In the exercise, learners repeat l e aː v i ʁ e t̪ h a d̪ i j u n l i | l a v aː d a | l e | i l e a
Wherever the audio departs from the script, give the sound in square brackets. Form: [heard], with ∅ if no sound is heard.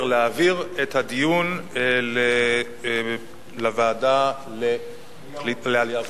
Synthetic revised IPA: l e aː v i ʁ e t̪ h a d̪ i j u n l [e] | l a v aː d a | l e | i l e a